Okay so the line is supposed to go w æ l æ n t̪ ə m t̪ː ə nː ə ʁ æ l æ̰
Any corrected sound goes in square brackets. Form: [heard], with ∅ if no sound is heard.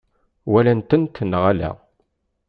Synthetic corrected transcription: w æ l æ n t̪ ə [n] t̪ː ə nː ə ʁ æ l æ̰